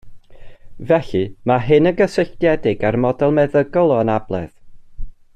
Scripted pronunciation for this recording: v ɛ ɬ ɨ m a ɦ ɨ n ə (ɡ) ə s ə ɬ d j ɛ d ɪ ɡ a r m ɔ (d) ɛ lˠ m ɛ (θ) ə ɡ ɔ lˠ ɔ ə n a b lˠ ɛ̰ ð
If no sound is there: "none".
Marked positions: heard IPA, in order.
ɡ, d, ð

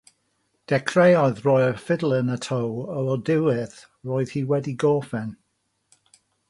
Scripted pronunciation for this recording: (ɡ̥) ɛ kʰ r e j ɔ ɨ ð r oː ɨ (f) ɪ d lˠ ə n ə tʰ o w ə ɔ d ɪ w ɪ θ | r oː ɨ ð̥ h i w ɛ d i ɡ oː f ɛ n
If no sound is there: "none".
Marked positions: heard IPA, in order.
d̥, f

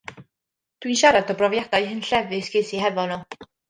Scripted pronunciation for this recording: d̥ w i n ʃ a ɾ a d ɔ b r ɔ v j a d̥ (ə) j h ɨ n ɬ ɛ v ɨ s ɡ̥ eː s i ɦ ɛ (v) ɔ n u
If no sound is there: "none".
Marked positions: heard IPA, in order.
a, v

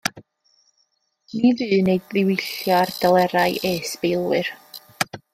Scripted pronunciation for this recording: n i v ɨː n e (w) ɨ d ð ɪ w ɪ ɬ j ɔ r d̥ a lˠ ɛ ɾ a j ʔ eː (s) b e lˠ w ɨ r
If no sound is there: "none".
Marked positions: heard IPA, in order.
none, s

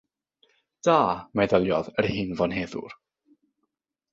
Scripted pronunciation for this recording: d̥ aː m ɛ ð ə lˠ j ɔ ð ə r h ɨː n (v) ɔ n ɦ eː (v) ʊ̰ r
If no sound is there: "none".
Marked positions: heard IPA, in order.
v, ð

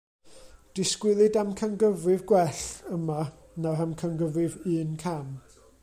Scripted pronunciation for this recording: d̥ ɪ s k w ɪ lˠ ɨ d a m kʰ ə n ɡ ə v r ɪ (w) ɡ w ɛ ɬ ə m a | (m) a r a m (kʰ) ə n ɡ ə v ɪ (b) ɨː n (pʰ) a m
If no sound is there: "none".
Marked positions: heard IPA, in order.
v, n, kʰ, v, kʰ

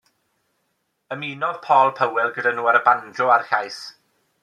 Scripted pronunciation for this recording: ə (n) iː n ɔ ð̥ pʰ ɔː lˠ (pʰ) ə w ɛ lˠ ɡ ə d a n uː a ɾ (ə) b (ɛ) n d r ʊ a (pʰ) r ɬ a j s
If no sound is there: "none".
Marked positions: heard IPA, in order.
m, pʰ, ə, a, none

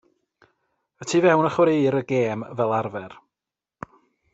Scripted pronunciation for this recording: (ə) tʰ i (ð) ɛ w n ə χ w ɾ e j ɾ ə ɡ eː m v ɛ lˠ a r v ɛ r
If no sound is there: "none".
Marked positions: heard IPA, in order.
ə, v

